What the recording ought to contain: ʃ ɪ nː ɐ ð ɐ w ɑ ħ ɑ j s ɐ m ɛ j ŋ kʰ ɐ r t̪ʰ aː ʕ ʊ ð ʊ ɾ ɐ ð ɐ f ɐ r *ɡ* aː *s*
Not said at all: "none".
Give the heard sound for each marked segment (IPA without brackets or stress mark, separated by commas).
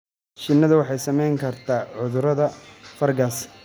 ɡ, s